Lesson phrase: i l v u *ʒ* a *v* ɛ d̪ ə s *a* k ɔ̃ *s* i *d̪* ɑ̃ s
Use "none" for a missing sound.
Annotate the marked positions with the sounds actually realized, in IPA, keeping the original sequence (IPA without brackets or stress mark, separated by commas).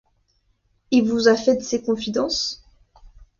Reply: z, f, e, f, d̪